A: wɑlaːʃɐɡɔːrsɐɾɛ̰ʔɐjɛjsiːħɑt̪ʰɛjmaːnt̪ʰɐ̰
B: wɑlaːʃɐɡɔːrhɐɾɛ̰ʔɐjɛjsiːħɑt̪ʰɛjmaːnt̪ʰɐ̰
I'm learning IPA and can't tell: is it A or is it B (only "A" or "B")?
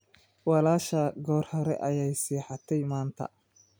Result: B